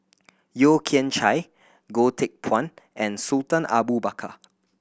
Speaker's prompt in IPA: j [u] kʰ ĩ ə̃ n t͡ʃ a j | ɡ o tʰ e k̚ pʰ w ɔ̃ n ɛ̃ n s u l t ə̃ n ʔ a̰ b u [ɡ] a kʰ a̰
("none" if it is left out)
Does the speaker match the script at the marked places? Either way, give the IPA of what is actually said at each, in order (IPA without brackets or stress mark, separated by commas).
o, b